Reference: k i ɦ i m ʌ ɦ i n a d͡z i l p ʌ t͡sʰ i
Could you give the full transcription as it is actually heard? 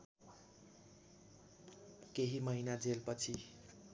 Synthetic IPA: k e ɦ i m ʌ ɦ i n a d͡z e l p ʌ t͡sʰ i